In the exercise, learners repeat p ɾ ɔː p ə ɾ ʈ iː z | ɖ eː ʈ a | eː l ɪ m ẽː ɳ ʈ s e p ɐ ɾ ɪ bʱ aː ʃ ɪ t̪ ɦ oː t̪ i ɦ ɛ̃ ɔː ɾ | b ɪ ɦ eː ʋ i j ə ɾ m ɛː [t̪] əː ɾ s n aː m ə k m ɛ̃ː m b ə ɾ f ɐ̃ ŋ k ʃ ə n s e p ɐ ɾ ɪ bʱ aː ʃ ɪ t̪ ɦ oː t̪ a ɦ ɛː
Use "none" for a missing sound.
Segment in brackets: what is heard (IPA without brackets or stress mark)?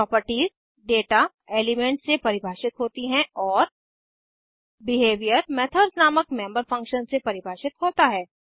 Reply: t̪ʰ